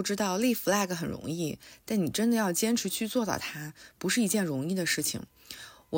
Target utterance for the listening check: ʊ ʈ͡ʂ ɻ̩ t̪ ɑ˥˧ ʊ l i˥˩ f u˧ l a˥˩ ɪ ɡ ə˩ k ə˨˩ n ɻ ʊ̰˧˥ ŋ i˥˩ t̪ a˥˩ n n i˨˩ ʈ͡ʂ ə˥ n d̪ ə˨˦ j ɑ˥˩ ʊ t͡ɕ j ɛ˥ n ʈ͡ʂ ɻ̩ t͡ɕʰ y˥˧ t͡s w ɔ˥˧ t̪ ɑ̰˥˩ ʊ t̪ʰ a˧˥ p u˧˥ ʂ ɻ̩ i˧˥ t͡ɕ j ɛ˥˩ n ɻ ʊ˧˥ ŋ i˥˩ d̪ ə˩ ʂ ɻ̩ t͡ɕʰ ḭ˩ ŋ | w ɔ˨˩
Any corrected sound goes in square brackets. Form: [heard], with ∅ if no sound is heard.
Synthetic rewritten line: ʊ ʈ͡ʂ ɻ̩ t̪ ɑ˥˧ ʊ l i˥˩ f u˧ l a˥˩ ɪ ɡ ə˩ [x] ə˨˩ n ɻ ʊ̰˧˥ ŋ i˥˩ t̪ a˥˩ n n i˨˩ ʈ͡ʂ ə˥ n d̪ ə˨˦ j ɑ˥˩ ʊ t͡ɕ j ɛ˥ n [ʈ͡ʂʰ] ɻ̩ t͡ɕʰ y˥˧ t͡s w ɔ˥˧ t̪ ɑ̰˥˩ ʊ t̪ʰ [a˥] p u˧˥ ʂ ɻ̩ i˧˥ t͡ɕ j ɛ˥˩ n ɻ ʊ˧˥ ŋ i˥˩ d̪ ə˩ ʂ ɻ̩ t͡ɕʰ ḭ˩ ŋ | w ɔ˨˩